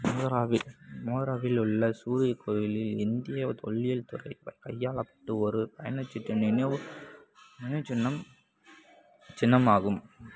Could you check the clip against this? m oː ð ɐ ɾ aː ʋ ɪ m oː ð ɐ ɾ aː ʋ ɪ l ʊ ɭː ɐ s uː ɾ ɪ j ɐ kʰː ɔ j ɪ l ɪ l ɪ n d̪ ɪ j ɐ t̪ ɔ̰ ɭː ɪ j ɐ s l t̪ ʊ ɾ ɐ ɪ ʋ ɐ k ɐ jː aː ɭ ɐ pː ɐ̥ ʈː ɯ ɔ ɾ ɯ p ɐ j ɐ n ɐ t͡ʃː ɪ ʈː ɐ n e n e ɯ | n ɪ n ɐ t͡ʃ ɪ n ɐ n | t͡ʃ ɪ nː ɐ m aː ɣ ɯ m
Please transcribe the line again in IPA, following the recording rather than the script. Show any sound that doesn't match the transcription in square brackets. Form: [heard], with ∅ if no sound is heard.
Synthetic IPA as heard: m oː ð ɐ ɾ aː ʋ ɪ m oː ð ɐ ɾ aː ʋ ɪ l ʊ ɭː ɐ s uː ɾ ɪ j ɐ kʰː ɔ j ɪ l ɪ l ɪ n d̪ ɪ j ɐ t̪ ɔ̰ ɭː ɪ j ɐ [∅] l t̪ ʊ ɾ ɐ ɪ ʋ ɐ k ɐ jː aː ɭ ɐ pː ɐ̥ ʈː ɯ ɔ ɾ ɯ p ɐ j ɐ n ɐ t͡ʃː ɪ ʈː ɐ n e n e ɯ | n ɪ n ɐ t͡ʃ ɪ [nː] ɐ [m] | t͡ʃ ɪ nː ɐ m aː ɣ ɯ m